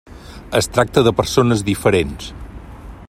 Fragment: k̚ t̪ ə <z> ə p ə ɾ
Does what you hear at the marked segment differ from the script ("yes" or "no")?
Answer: yes